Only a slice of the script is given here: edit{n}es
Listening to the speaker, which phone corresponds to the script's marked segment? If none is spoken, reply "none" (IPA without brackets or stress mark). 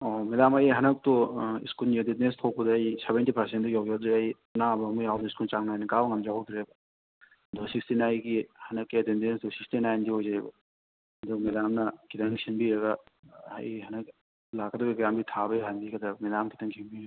n